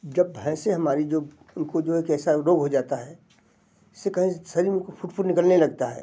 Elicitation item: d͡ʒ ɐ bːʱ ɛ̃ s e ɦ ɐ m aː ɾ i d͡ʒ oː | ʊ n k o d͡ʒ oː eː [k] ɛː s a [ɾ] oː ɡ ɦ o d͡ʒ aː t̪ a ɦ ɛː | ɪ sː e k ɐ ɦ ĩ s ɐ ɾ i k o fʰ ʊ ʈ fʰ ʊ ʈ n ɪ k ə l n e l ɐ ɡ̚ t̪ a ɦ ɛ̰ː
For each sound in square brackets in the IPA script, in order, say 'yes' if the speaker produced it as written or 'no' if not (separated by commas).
yes, yes